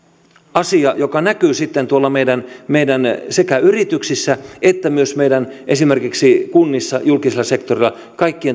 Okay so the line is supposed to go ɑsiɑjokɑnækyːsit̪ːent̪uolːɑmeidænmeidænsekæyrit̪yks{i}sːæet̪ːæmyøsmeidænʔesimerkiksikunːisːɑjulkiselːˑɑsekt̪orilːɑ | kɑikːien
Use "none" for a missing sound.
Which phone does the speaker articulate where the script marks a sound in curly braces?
i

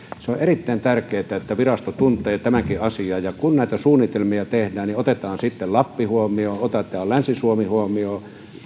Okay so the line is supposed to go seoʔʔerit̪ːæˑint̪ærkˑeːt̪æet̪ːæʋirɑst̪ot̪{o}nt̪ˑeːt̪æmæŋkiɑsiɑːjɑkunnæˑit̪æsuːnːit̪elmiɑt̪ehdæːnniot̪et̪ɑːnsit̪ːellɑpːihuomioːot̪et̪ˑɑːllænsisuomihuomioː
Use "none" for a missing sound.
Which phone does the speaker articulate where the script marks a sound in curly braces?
u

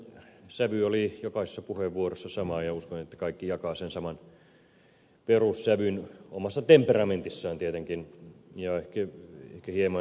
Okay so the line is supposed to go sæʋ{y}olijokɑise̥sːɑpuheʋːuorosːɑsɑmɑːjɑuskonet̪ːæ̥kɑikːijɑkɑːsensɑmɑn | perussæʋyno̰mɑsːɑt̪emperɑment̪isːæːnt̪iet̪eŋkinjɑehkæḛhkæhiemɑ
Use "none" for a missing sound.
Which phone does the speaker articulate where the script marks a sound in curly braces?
y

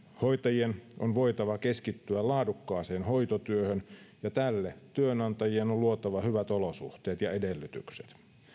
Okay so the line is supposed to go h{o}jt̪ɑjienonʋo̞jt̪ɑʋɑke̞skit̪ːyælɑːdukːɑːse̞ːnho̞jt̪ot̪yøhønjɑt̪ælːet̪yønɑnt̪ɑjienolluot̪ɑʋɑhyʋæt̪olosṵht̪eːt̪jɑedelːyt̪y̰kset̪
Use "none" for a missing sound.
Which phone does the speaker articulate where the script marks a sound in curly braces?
o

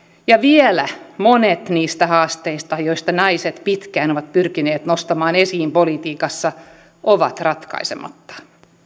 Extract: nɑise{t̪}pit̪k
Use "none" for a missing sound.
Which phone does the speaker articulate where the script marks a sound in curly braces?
t̪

